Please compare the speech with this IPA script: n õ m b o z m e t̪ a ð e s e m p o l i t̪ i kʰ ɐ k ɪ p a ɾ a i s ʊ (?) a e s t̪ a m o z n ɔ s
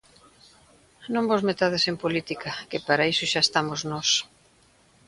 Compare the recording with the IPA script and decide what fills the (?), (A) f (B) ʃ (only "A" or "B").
B